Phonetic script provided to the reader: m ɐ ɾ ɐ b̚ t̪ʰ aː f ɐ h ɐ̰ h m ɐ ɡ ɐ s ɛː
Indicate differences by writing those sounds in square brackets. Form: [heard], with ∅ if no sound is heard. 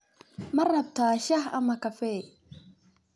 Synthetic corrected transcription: m ɐ [r] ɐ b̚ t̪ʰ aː [ʃ] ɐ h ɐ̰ [∅] m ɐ [k] ɐ [f] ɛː